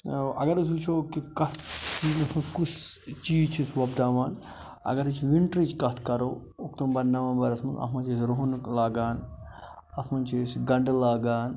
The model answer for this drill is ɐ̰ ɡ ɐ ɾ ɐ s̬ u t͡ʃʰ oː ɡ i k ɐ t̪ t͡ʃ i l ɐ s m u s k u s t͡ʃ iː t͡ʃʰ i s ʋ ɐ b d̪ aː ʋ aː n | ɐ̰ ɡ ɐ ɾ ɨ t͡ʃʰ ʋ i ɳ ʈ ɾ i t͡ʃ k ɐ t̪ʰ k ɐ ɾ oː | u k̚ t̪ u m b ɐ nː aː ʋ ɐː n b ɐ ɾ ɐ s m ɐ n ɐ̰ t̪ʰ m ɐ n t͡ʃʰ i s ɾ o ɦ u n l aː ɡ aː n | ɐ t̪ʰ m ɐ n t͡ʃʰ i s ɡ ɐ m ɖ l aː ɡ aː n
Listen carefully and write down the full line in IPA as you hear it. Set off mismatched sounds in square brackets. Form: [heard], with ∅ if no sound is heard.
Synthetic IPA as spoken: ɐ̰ ɡ ɐ ɾ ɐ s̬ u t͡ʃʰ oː [k] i k ɐ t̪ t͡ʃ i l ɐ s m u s k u s t͡ʃ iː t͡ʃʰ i s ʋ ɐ b d̪ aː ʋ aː n | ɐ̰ ɡ ɐ ɾ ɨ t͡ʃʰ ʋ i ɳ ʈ ɾ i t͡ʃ k ɐ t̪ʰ k ɐ ɾ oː | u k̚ t̪ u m b ɐ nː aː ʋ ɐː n b ɐ ɾ ɐ s m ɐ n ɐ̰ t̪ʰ m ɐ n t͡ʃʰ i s ɾ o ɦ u n l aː ɡ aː n | ɐ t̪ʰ m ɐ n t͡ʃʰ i s ɡ ɐ [ɳ] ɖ l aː ɡ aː n